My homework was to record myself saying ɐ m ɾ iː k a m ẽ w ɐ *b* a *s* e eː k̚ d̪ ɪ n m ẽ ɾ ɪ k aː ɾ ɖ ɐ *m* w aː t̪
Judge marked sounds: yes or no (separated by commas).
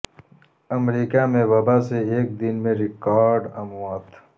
yes, yes, yes